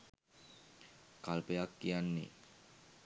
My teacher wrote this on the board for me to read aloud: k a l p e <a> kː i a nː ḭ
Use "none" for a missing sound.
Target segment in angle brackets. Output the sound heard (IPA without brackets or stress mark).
a